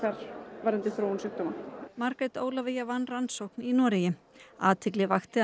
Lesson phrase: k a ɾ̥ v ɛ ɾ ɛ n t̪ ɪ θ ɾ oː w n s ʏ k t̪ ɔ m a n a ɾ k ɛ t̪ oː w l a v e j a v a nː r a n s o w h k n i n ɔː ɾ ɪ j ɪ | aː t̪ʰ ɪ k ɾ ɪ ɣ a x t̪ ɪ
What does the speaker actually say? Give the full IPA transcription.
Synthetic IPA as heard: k a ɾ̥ v a ɾ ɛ n t̪ ɪ θ ɾ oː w n s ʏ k t̪ ɔ m a m a ɾ k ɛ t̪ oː w l a v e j a v a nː r a n s o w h k n i n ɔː ɾ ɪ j ɪ | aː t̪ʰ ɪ k l ɪ v a x t̪ ɪ